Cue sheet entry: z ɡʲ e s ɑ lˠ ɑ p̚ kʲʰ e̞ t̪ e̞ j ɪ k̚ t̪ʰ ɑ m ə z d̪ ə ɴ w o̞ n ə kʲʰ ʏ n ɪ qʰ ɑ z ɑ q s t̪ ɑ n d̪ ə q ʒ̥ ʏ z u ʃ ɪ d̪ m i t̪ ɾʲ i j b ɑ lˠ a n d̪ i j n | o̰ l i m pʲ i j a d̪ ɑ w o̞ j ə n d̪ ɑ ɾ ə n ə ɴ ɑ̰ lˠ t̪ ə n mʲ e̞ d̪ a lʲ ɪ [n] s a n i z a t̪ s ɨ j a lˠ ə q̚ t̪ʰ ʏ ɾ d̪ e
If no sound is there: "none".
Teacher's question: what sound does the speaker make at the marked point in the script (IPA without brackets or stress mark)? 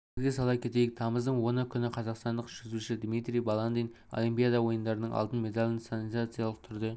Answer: n